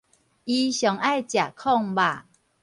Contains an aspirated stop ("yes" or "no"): yes